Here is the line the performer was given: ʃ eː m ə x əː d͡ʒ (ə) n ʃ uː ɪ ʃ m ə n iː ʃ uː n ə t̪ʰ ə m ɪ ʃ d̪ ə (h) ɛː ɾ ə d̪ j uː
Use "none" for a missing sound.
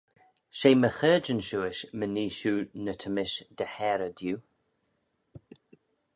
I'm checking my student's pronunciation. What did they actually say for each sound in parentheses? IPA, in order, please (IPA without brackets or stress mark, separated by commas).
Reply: ə, h